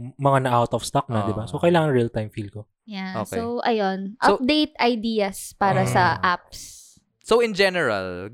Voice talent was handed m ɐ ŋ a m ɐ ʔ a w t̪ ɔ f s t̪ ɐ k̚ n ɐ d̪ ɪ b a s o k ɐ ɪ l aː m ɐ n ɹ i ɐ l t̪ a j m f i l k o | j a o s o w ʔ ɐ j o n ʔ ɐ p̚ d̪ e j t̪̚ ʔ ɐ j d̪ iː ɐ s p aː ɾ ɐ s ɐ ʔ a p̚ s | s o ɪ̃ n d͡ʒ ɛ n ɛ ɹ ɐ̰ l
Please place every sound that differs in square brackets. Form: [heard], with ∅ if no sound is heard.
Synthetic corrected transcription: m ɐ ŋ a [n] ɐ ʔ a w t̪ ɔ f s t̪ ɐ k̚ n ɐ d̪ ɪ b a s o k ɐ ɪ l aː [ŋ] ɐ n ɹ i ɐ l t̪ a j m f i l k o | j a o s o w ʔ ɐ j o n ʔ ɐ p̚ d̪ e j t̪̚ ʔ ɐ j d̪ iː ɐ s p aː ɾ ɐ s ɐ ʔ a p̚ s | s o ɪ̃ n d͡ʒ ɛ n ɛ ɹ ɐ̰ l